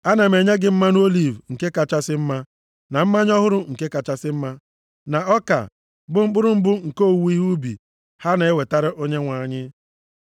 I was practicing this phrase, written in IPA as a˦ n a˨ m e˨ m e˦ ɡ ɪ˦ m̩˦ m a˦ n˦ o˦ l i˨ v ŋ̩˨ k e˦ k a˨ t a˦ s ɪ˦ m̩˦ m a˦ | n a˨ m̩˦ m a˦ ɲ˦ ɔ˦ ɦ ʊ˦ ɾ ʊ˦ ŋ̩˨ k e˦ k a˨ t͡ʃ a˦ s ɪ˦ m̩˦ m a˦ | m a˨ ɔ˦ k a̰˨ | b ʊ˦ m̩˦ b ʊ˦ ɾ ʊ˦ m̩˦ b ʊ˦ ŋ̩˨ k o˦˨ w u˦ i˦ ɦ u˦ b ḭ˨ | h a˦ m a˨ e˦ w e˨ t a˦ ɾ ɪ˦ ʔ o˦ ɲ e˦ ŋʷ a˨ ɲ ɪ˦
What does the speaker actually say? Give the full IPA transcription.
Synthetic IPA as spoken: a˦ n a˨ m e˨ ɲ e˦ ɡ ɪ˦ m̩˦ m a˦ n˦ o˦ l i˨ v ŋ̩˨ k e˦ k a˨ t͡ʃ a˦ s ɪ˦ m̩˦ m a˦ | n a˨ m̩˦ m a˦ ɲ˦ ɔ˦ ɦ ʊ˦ ɾ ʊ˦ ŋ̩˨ k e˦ k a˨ t͡ʃ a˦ s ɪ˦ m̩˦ m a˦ | n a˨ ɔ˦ k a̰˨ | b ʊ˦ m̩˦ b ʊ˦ ɾ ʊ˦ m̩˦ b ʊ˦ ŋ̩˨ k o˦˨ w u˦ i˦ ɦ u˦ b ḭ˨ | h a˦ n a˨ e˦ w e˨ t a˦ ɾ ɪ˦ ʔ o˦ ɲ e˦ ŋʷ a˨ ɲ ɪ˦